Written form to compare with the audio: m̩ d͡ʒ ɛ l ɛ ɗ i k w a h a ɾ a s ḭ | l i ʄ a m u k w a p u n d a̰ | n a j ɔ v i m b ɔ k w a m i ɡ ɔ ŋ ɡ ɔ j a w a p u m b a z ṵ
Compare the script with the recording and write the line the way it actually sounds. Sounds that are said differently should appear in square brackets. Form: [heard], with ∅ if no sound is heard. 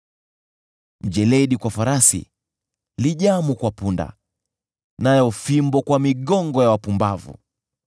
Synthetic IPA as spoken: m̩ d͡ʒ ɛ l ɛ ɗ i k w a [f] a ɾ a s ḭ | l i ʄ a m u k w a p u n d a̰ | n a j ɔ [f] i m b ɔ k w a m i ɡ ɔ ŋ ɡ ɔ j a w a p u m b a [v] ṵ